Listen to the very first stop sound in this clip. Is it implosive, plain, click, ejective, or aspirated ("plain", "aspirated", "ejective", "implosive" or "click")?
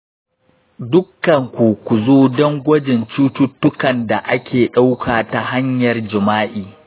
plain